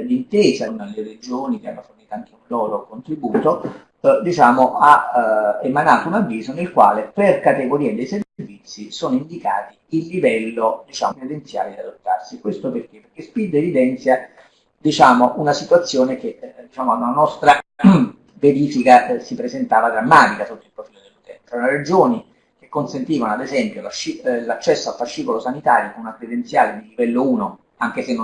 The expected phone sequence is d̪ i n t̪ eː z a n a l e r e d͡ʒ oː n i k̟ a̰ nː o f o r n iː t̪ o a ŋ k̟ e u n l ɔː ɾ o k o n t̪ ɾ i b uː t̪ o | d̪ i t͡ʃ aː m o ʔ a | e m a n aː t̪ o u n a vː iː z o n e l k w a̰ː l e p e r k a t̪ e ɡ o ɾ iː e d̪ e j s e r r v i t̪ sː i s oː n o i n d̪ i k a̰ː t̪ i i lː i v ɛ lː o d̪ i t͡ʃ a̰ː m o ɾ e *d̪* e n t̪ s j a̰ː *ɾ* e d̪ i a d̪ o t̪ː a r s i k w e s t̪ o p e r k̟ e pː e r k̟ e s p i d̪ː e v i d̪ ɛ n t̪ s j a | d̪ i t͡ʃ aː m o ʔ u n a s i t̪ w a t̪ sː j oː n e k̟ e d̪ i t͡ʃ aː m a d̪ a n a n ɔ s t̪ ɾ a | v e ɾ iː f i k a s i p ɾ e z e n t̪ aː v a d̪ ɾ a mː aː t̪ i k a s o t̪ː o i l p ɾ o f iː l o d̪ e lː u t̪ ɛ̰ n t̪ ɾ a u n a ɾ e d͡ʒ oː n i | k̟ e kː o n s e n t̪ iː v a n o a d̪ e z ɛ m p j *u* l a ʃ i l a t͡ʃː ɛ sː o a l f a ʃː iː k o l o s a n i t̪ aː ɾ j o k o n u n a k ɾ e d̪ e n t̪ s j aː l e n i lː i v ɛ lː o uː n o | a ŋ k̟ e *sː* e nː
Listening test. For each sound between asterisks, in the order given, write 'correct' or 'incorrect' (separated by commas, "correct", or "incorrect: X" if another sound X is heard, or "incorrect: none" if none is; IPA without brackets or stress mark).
correct, incorrect: l, incorrect: o, incorrect: s